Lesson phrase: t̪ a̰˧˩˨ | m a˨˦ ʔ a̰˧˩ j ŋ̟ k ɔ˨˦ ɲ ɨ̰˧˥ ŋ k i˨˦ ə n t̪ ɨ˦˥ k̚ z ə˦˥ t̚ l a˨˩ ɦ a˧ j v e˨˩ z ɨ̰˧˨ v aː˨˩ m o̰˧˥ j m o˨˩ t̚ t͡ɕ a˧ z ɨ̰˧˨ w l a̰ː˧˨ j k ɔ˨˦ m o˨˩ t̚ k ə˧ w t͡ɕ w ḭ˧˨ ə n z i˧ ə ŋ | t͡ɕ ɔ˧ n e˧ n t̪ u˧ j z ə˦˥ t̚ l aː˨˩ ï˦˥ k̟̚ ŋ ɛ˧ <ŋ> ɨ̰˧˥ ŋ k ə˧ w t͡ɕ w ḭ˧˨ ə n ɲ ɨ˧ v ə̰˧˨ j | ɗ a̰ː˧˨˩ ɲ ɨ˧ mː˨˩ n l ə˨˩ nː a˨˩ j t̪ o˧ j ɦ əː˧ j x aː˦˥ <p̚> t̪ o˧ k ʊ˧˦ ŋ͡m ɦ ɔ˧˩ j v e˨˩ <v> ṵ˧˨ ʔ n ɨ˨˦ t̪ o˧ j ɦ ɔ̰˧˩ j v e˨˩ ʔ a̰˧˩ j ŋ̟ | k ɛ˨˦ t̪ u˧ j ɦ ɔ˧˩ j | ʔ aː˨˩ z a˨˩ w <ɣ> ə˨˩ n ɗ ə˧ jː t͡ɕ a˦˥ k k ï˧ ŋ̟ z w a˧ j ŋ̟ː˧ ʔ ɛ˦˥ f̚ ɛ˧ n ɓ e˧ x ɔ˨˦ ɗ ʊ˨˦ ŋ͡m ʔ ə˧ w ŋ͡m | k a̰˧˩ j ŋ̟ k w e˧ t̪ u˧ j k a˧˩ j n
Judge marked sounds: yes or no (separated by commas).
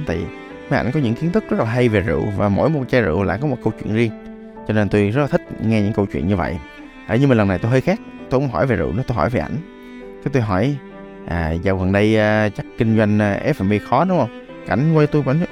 no, no, no, yes